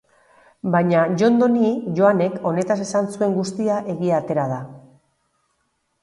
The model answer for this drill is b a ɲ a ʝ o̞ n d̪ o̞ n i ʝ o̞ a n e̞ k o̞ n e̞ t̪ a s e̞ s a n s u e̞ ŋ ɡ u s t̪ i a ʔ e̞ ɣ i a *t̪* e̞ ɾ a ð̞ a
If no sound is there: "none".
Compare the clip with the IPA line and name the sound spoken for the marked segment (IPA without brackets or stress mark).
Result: t̪